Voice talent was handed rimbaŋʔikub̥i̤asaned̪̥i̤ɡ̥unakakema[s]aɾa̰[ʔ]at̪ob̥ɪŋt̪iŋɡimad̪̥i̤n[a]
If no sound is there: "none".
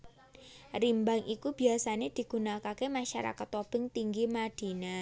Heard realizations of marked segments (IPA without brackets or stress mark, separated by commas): ʃ, k, a